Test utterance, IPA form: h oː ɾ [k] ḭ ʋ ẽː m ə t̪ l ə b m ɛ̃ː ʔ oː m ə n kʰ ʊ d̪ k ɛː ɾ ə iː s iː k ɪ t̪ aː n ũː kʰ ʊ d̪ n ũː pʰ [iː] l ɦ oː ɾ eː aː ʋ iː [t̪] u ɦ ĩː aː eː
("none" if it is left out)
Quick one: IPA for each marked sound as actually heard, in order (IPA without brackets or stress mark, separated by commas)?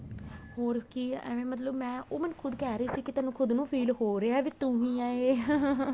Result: k, iː, t̪